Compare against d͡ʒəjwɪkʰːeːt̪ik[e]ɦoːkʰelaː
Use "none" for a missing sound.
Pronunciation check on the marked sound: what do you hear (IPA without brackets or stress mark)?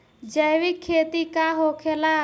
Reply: a